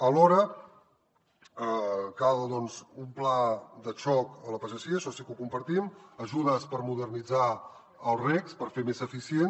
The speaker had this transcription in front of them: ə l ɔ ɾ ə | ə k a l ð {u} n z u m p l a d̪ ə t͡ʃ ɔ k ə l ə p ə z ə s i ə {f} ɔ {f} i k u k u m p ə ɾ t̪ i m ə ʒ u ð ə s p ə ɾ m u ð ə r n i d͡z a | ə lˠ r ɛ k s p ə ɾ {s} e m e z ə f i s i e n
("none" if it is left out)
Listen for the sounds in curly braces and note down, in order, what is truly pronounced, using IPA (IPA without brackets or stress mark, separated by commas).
ɔ, ʃ, s, f